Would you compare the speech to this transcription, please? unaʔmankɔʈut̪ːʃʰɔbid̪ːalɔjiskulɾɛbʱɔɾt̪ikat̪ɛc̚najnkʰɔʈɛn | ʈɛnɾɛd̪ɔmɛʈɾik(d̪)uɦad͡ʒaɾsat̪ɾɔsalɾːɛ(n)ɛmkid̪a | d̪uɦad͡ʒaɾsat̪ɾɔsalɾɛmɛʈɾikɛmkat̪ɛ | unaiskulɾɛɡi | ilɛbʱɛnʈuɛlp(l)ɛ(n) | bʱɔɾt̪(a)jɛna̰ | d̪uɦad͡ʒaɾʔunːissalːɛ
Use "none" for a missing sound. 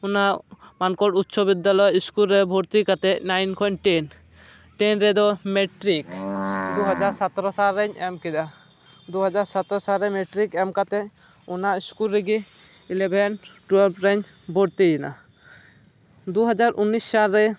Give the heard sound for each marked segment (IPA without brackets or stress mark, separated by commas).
d̪, ɲ, ɾ, ɲ, i